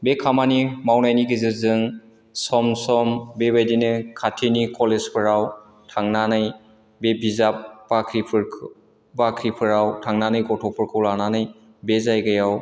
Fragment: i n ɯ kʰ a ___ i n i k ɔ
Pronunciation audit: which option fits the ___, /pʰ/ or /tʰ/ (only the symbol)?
tʰ